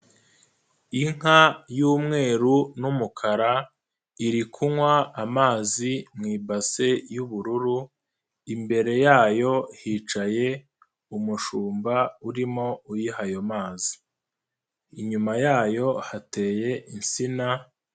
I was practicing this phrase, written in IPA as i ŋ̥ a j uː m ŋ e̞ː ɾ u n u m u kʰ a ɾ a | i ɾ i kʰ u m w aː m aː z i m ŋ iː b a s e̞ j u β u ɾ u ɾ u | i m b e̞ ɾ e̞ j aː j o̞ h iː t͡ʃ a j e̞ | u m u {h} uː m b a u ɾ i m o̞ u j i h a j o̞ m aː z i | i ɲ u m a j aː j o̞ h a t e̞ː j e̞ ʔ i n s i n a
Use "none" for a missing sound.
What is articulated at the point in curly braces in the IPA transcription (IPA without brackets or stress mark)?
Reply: ʃ